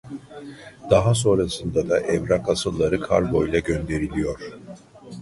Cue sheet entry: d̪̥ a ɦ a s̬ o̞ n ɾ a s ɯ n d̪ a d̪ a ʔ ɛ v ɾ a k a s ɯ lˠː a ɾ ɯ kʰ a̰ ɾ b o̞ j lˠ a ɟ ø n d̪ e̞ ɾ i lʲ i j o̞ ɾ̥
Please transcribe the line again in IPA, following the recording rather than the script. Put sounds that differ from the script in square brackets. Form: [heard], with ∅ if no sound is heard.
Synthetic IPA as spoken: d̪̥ a ɦ a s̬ o̞ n ɾ a s ɯ n d̪ a d̪ a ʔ ɛ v ɾ a k a s ɯ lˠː a ɾ ɯ kʰ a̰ ɾ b o̞ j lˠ a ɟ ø n d̪ e̞ ɾ i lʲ i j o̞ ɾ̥